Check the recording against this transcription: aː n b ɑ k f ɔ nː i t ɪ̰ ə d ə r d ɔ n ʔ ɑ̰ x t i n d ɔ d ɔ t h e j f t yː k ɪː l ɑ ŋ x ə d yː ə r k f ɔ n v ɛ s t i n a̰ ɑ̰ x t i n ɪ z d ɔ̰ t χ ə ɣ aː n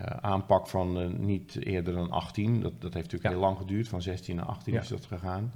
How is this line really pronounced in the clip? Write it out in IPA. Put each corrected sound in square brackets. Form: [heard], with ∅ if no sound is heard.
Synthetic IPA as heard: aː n [p] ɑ k f ɔ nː i t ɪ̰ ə d ə r d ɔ n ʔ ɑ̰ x t i n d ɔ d ɔ t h e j f t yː k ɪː l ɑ ŋ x ə d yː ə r [t] f ɔ n [z] ɛ s t i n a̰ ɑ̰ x t i n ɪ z d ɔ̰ t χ ə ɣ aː n